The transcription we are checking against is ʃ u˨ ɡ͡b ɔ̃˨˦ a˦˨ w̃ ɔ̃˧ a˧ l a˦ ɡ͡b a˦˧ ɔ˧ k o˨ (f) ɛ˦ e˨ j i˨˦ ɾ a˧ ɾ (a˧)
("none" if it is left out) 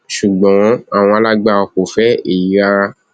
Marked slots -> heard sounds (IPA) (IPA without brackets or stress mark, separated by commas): f, a˧